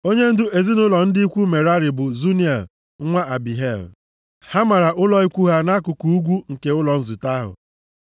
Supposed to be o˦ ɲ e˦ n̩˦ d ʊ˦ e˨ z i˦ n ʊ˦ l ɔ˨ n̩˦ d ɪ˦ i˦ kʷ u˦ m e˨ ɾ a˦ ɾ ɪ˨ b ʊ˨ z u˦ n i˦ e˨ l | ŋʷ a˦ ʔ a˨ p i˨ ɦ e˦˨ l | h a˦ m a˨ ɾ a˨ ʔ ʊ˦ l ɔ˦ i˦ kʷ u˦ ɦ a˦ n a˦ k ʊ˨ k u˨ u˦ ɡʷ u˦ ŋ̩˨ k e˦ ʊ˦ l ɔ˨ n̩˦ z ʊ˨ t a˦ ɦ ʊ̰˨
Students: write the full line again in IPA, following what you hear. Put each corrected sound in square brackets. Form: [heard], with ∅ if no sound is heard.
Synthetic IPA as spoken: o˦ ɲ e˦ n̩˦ d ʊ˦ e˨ z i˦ n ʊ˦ l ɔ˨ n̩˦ d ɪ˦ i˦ kʷ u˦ m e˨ ɾ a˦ ɾ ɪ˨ b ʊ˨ z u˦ n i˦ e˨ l | ŋʷ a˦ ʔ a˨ [b] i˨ ɦ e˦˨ l | h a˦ m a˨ ɾ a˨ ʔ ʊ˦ l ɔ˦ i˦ kʷ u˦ ɦ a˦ n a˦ k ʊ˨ k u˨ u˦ ɡʷ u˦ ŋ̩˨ k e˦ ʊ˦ l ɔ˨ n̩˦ z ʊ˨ t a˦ ɦ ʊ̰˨